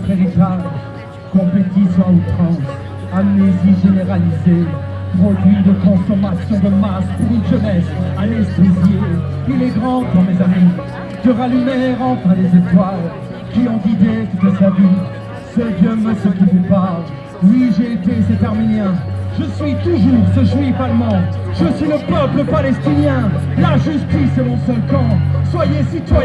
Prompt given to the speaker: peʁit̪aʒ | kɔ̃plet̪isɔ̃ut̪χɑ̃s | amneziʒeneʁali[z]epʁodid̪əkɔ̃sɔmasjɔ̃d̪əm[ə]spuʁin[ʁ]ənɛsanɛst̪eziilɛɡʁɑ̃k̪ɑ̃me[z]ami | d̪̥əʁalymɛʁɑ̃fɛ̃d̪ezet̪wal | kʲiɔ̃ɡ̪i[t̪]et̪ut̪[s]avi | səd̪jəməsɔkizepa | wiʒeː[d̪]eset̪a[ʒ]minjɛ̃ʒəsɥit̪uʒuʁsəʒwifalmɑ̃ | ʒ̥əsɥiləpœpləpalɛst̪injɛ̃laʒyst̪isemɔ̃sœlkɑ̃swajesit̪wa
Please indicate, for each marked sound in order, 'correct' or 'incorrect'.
correct, incorrect, incorrect, correct, incorrect, correct, incorrect, incorrect

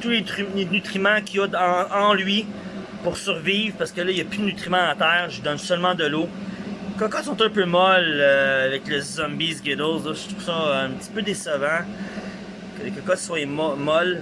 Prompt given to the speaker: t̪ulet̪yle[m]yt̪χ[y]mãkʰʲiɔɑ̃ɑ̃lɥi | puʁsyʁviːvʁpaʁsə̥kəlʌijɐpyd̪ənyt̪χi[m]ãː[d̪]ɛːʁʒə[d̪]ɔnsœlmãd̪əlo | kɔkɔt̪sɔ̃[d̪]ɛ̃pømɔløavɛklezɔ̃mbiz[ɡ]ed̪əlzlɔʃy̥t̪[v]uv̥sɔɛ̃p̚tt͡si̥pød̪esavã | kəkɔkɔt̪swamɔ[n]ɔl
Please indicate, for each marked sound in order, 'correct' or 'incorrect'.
incorrect, incorrect, correct, incorrect, correct, incorrect, correct, incorrect, incorrect

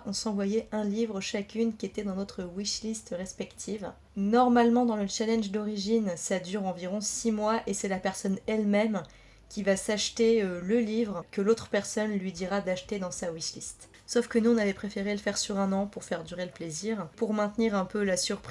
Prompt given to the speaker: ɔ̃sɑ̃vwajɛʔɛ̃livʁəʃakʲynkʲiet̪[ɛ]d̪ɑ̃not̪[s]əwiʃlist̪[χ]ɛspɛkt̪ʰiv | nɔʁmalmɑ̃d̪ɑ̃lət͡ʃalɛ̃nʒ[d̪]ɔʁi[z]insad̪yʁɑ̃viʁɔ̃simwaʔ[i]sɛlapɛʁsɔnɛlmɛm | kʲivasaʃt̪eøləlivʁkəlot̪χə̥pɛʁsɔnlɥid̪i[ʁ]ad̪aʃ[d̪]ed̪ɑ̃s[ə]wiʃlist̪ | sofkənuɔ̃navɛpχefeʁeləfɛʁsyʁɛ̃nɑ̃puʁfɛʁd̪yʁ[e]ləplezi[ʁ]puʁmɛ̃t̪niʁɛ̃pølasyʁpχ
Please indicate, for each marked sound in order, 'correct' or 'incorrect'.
correct, incorrect, incorrect, correct, incorrect, incorrect, correct, incorrect, incorrect, correct, correct

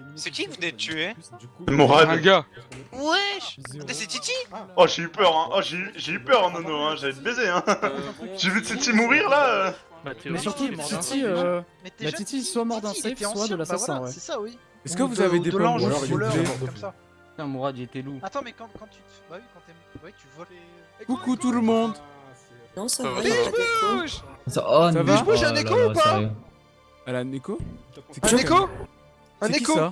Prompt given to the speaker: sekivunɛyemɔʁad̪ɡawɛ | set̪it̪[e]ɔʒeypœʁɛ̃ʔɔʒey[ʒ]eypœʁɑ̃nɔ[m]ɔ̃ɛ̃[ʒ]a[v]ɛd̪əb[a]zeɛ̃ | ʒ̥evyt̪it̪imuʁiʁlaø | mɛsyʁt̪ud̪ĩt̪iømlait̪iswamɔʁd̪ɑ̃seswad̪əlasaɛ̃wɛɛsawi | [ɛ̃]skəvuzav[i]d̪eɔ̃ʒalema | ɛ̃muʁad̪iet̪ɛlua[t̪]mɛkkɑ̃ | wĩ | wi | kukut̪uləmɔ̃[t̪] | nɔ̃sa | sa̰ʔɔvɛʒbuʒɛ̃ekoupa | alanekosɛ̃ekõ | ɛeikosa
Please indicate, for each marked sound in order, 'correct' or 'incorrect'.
incorrect, correct, incorrect, correct, correct, incorrect, incorrect, incorrect, correct, incorrect

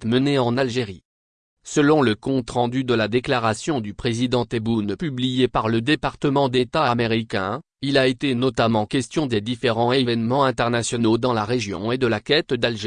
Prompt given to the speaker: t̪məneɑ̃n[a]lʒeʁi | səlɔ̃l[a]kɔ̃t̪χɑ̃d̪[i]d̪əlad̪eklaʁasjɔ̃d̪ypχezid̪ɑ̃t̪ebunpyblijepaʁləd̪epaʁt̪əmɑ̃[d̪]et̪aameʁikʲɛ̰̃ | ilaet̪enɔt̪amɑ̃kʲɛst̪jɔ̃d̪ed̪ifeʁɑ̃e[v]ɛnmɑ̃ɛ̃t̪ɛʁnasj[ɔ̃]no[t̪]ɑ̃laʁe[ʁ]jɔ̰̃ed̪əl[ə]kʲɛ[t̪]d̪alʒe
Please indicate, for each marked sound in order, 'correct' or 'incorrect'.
correct, incorrect, incorrect, correct, correct, incorrect, incorrect, incorrect, incorrect, correct

